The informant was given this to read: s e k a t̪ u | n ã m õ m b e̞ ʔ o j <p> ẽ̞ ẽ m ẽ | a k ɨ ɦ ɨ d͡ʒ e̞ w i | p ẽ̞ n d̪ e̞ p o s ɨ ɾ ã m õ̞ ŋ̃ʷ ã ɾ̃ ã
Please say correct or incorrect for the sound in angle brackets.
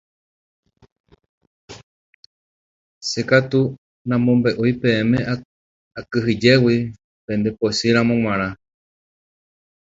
correct